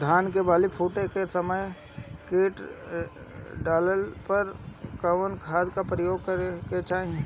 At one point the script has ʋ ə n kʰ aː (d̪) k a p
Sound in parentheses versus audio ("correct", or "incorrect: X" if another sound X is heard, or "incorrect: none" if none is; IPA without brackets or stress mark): correct